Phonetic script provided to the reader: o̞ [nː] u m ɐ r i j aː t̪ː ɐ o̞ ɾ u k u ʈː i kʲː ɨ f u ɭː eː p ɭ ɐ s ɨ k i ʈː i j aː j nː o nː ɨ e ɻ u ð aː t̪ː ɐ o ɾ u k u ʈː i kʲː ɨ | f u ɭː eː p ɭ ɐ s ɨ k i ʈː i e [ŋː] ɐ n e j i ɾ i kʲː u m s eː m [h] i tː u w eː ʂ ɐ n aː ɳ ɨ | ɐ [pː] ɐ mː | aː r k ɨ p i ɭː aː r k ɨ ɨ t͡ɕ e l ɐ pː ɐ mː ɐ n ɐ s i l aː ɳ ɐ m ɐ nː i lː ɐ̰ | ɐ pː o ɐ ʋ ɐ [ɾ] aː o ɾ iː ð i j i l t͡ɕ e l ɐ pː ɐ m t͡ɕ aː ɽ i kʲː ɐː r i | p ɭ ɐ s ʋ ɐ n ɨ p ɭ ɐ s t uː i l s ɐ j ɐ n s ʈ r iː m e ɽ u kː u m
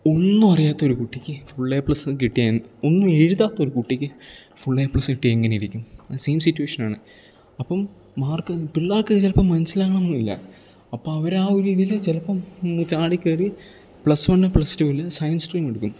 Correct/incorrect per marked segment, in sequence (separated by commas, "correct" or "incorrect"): correct, correct, incorrect, correct, correct